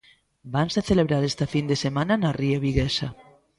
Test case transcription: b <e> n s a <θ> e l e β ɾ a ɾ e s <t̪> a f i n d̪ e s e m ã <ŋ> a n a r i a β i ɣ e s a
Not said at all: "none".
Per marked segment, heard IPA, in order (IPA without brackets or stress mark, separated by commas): a, θ, t̪, n